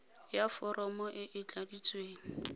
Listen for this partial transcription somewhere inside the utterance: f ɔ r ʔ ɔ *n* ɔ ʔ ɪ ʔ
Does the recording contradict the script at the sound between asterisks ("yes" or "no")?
yes